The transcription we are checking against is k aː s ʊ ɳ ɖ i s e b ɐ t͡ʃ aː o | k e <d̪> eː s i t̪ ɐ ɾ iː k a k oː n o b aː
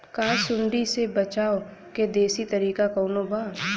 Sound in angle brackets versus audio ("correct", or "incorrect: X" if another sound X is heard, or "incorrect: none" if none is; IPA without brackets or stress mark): correct